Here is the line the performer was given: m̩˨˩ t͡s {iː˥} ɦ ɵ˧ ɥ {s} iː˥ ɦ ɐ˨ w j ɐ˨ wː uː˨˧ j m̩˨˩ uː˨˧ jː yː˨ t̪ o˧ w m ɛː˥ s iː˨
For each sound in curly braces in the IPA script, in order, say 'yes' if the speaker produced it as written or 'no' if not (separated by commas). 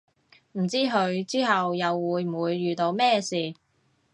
yes, no